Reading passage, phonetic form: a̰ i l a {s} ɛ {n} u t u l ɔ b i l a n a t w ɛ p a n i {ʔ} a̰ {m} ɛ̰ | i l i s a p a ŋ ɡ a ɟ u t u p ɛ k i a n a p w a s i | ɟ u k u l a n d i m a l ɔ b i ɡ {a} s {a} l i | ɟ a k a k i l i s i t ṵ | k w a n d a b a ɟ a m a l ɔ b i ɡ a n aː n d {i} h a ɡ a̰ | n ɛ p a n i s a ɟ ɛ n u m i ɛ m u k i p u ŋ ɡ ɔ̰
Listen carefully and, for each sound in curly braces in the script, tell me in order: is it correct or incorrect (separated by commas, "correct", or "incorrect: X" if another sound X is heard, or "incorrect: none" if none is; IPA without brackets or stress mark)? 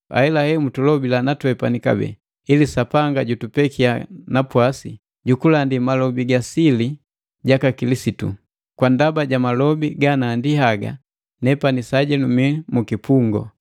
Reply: incorrect: h, incorrect: m, incorrect: k, incorrect: b, correct, incorrect: i, correct